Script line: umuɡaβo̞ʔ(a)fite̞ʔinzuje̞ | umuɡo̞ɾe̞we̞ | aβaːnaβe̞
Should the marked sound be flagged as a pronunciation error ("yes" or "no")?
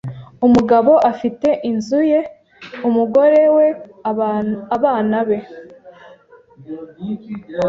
no